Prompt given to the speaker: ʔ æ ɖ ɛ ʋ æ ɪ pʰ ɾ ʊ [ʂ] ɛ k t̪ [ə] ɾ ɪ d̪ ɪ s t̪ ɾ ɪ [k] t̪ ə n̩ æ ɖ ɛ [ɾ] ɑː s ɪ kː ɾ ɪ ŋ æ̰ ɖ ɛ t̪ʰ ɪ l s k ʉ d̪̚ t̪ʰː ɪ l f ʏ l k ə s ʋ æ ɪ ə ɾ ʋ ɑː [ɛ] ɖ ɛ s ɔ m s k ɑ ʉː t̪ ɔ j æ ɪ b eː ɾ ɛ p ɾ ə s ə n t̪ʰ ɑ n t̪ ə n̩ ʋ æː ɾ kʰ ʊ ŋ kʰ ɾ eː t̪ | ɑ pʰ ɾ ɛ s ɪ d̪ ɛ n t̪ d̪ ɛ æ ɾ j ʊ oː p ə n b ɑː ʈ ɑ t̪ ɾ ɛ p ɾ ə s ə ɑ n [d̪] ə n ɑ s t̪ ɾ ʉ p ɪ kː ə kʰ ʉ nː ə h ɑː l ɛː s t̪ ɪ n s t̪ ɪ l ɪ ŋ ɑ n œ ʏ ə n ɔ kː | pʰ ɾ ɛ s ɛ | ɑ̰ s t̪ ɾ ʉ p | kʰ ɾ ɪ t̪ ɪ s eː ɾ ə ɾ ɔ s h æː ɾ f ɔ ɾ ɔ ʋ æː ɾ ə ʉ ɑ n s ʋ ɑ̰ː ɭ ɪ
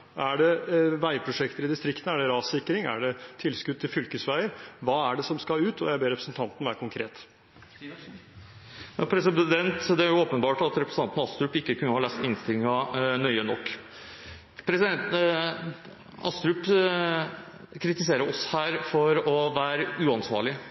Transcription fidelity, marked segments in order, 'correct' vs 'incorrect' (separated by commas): correct, correct, correct, correct, incorrect, incorrect